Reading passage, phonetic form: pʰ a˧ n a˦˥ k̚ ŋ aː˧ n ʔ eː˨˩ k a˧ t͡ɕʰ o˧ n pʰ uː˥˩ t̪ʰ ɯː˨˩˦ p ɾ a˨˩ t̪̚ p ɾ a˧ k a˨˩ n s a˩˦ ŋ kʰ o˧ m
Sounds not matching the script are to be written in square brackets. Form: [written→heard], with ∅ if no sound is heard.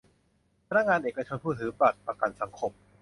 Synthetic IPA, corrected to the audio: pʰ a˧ n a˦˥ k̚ ŋ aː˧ n ʔ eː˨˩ k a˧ t͡ɕʰ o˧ n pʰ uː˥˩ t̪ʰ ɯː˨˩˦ p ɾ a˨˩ t̪̚ p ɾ a˧ k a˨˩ n s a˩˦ ŋ kʰ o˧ m

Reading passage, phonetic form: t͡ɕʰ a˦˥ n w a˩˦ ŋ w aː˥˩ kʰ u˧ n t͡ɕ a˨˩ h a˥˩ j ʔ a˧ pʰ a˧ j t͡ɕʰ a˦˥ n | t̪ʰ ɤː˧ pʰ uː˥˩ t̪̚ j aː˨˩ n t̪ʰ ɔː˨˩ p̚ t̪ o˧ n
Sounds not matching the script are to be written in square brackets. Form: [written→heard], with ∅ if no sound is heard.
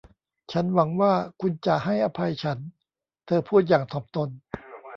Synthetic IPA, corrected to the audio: t͡ɕʰ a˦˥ n w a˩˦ ŋ w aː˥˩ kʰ u˧ n t͡ɕ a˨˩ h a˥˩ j ʔ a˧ pʰ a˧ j t͡ɕʰ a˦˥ n | t̪ʰ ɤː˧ pʰ uː˥˩ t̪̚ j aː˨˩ [n→ŋ] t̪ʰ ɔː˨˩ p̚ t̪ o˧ n

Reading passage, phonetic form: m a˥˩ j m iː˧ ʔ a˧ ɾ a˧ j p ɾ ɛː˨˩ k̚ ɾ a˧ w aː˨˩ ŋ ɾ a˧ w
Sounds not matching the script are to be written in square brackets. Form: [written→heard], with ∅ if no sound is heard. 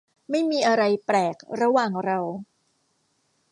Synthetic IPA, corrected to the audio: m a˥˩ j m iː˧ ʔ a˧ ɾ a˧ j p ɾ ɛː˨˩ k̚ ɾ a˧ w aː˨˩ ŋ ɾ a˧ w

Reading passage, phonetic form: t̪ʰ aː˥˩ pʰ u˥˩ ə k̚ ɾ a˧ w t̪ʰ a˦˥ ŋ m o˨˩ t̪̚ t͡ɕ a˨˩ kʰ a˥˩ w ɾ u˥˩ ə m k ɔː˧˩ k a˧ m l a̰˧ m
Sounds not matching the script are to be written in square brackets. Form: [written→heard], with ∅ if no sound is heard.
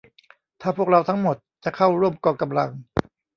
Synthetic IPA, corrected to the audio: t̪ʰ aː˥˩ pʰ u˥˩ ə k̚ ɾ a˧ w t̪ʰ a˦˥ ŋ m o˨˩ t̪̚ t͡ɕ a˨˩ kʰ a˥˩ w ɾ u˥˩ ə m k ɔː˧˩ k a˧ m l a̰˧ [m→ŋ]

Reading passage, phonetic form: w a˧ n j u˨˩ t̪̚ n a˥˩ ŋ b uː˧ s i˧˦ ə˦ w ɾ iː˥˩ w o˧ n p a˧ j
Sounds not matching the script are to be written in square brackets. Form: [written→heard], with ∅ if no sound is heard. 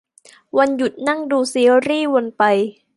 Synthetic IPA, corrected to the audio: w a˧ n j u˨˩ t̪̚ n a˥˩ ŋ [b→d] uː˧ s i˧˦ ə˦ w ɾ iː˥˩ w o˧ n p a˧ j

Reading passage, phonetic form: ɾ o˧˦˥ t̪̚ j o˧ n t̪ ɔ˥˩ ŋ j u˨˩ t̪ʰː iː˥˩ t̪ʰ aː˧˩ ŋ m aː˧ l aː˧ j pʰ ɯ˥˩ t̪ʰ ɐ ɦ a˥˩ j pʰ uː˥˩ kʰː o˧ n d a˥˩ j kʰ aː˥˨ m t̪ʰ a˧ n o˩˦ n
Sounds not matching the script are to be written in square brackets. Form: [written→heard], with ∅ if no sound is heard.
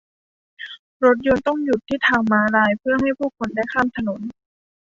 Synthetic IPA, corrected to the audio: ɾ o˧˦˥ t̪̚ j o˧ n t̪ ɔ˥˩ ŋ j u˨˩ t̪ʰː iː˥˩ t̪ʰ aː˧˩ ŋ m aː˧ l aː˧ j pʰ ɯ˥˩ [t̪ʰ→∅] ɐ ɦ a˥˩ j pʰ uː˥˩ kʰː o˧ n d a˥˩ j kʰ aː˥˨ m t̪ʰ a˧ n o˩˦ n

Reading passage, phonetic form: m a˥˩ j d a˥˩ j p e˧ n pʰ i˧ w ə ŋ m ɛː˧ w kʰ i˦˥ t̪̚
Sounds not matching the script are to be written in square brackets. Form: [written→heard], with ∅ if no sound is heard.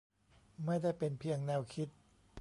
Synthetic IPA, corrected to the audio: m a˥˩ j d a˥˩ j p e˧ n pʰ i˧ [w→∅] ə ŋ [m→n] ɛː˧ w kʰ i˦˥ t̪̚

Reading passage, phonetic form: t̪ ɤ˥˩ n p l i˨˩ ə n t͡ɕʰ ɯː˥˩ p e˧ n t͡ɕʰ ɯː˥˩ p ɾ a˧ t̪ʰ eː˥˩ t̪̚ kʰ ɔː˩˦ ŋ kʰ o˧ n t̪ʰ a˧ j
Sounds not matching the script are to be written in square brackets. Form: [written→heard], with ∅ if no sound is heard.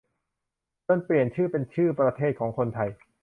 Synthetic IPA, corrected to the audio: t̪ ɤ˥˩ n p l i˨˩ ə n t͡ɕʰ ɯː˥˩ p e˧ n t͡ɕʰ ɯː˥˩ p ɾ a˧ t̪ʰ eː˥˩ t̪̚ kʰ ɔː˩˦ ŋ kʰ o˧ n t̪ʰ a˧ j

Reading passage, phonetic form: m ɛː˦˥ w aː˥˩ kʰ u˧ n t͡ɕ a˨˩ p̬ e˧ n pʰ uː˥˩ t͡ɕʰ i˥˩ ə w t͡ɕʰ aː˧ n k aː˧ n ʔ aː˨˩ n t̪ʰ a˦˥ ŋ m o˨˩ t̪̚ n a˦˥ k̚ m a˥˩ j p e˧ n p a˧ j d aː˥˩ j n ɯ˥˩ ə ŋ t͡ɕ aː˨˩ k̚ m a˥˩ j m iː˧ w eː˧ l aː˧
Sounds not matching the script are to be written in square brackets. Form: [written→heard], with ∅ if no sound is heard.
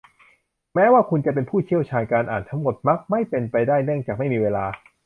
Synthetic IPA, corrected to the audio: m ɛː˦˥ w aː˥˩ kʰ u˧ n t͡ɕ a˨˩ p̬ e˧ n pʰ uː˥˩ t͡ɕʰ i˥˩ ə w t͡ɕʰ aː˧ n k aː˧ n ʔ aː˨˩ n t̪ʰ a˦˥ ŋ m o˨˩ t̪̚ [n→m] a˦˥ k̚ m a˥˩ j p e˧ n p a˧ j d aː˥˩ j n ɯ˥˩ ə ŋ t͡ɕ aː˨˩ k̚ m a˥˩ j m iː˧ w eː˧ l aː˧

